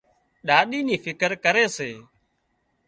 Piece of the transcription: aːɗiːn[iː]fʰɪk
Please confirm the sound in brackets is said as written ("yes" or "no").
yes